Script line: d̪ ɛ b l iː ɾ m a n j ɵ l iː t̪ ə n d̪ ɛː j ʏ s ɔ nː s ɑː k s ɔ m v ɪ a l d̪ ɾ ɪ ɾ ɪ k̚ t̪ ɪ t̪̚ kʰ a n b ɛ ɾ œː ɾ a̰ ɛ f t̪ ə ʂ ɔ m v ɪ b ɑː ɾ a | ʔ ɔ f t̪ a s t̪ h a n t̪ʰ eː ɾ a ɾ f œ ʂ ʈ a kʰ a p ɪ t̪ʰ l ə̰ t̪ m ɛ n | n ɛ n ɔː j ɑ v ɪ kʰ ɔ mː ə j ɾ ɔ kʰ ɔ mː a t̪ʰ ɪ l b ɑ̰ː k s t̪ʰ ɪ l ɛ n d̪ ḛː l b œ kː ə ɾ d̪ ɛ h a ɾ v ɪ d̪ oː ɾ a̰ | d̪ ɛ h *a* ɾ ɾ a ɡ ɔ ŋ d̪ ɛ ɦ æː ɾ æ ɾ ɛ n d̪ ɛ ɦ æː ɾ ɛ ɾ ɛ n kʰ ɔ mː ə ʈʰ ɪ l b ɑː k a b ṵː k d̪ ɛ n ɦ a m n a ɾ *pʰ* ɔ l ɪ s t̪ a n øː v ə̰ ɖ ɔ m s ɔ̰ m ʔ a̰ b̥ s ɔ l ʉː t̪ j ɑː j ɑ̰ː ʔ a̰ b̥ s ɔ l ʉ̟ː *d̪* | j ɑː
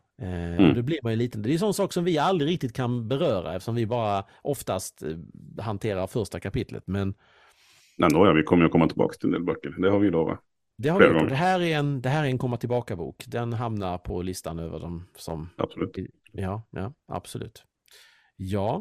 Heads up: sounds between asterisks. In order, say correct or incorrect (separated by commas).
correct, correct, incorrect